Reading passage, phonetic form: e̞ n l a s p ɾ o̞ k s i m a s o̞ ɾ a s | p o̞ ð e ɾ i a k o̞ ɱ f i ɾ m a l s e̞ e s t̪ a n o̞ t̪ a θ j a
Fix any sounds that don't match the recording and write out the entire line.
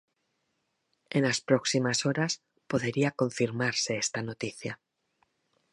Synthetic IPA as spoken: e̞ n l a s p ɾ o̞ k s i m a s o̞ ɾ a s | p o̞ ð e ɾ i a k o̞ ɱ f i ɾ m a ɾ s e̞ e s t̪ a n o̞ t̪ i θ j a